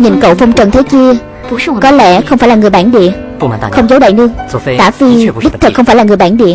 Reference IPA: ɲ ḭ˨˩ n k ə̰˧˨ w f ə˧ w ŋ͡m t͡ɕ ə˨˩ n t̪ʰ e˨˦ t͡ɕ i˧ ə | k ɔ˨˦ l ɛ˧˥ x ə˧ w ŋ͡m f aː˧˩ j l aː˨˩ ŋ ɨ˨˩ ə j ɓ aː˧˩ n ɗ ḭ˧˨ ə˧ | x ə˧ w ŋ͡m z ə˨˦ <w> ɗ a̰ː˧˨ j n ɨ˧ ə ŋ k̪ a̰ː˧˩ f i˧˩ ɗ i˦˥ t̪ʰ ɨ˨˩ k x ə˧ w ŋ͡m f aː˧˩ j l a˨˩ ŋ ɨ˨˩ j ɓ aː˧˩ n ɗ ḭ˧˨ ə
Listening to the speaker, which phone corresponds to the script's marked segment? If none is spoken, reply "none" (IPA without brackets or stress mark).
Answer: w